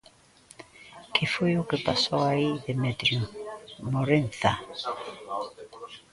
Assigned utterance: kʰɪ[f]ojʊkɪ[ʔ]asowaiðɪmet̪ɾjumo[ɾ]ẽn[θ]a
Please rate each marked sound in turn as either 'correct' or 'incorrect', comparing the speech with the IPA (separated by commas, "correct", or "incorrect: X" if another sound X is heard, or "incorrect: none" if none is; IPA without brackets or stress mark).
correct, incorrect: p, correct, correct